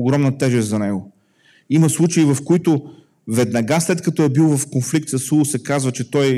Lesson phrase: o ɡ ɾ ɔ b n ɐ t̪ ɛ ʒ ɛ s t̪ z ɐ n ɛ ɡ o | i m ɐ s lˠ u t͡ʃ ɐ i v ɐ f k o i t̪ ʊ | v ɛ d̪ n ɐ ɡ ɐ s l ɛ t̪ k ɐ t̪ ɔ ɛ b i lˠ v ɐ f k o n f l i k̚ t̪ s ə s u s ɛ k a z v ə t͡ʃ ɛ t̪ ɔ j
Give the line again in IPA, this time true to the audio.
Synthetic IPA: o ɡ ɾ ɔ m n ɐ t̪ ɛ ʒ ɛ s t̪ z ɐ n ɛ ɡ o | i m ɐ s lˠ u t͡ʃ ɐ i v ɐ f k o i t̪ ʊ | v ɛ d̪ n ɐ ɡ a s l ɛ t̪ k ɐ t̪ ɔ ɛ b i lˠ v ɐ f k o n f l i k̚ t̪ s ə s u s ɛ k a z v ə t͡ʃ ɛ t̪ ɔ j